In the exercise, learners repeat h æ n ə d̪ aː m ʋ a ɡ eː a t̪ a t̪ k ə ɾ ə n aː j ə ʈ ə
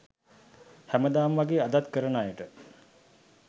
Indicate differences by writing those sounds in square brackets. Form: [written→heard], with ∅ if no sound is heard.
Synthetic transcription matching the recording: h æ [n→m] ə d̪ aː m ʋ a ɡ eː a [t̪→d̪] a t̪ k ə ɾ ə n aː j ə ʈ ə